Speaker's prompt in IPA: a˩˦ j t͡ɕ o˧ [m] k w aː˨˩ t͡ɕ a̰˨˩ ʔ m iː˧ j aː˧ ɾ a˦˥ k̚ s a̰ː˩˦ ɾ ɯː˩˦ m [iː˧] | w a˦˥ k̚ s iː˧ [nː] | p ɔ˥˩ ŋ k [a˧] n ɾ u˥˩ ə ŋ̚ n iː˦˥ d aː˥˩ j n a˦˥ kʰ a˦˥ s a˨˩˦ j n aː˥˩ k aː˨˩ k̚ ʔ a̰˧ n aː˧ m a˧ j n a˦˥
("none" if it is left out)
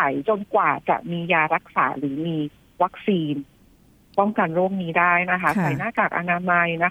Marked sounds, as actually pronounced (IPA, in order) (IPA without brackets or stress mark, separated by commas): n, iː˧, n, a˧